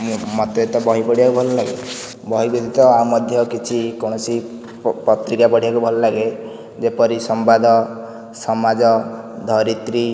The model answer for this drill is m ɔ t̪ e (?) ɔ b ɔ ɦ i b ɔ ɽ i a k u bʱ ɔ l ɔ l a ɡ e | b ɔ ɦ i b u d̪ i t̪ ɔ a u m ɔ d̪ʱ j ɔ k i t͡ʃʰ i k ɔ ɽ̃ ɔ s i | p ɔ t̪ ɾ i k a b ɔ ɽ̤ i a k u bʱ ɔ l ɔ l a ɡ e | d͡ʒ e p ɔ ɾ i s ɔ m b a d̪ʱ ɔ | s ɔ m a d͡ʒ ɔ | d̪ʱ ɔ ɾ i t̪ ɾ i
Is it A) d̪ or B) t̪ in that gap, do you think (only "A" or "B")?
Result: B